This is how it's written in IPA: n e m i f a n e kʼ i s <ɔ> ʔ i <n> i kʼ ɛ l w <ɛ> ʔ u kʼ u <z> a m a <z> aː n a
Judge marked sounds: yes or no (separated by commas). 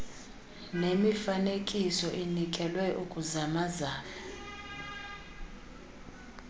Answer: yes, yes, yes, yes, yes